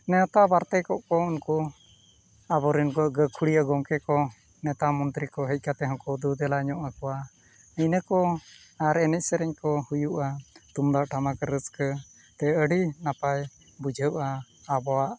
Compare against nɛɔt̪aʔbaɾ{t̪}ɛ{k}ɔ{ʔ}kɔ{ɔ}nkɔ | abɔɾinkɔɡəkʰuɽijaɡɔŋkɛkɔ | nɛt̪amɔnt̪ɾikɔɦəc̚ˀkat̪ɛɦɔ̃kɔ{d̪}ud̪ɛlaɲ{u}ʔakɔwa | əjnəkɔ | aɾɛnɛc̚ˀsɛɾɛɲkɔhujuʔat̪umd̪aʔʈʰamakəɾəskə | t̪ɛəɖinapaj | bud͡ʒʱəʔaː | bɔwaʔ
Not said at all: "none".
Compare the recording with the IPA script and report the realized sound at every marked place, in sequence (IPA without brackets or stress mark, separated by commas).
t̪, k, ʔ, u, d̪, ɔ